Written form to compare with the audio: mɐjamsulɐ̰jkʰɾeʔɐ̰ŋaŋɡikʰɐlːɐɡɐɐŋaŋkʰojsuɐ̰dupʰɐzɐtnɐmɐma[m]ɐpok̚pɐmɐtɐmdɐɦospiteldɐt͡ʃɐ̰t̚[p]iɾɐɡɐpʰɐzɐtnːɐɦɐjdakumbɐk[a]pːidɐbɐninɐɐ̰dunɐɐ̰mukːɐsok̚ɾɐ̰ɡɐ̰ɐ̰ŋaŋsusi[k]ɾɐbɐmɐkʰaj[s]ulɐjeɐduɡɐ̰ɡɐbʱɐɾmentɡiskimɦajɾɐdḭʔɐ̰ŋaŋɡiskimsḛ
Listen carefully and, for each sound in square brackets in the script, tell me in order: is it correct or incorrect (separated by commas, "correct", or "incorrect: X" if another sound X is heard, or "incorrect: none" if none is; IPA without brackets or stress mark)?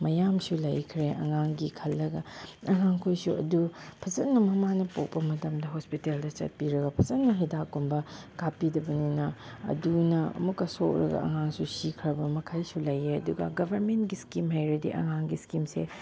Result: incorrect: n, correct, correct, incorrect: kʰ, correct